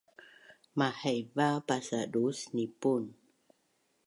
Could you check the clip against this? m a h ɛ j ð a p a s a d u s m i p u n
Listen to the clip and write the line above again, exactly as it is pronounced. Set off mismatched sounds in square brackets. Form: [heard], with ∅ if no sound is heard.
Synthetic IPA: m a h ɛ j [v] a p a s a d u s [n] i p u n